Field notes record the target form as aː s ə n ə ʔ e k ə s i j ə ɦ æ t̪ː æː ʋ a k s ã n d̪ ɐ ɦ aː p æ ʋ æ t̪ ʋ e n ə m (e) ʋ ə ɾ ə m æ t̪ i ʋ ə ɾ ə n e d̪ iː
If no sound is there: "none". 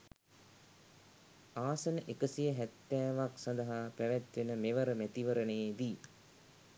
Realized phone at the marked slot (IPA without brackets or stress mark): e